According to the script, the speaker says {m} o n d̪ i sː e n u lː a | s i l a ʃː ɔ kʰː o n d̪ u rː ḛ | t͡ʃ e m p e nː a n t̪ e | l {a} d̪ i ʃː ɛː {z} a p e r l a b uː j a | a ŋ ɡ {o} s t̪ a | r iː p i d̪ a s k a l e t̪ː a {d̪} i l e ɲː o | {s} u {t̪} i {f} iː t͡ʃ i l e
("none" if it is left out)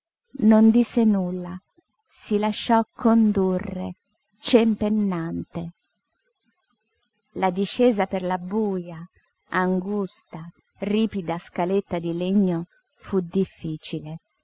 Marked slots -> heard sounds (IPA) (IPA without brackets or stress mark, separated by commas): n, a, z, u, d̪, f, d̪, fː